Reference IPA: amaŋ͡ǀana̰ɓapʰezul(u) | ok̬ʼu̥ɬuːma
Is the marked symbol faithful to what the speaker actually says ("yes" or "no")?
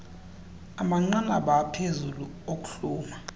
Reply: yes